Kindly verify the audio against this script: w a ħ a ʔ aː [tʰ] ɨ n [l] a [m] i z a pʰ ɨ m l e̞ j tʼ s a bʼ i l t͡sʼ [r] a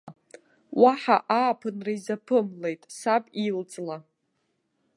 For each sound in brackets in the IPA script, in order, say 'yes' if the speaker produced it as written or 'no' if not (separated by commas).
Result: no, no, no, no